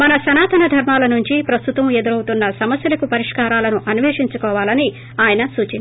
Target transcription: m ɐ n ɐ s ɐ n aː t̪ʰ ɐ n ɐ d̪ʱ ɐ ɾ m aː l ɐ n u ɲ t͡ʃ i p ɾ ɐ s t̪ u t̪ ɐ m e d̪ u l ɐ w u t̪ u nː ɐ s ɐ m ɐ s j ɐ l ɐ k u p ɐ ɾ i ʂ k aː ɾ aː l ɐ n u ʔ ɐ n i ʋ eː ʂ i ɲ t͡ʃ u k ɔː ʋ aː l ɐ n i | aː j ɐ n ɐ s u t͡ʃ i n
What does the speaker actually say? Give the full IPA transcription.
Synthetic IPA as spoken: m ɐ n ɐ s ɐ n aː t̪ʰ ɐ n ɐ d̪ʱ ɐ ɾ m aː l ɐ n u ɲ t͡ʃ i p ɾ ɐ s t̪ u t̪ ɐ m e d̪ u ɾ ɐ w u t̪ u nː ɐ s ɐ m ɐ s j ɐ l ɐ k u p ɐ ɾ i ʂ k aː ɾ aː l ɐ n u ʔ ɐ n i ʋ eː ʂ i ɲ t͡ʃ u k ɔː ʋ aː l ɐ n i | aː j ɐ n ɐ s uː t͡ʃ i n